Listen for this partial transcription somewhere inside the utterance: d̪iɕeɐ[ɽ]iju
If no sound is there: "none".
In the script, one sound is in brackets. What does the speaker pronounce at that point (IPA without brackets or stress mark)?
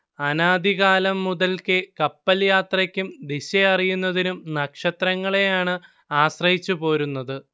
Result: r